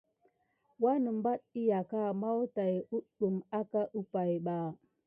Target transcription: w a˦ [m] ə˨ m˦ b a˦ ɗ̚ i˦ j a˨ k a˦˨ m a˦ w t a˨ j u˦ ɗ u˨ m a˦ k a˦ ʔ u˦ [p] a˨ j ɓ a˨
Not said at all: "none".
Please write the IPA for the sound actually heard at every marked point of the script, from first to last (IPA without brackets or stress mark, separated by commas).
n, p